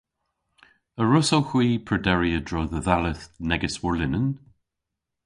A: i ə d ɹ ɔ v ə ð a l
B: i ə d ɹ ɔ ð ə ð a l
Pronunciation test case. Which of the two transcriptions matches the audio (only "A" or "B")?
B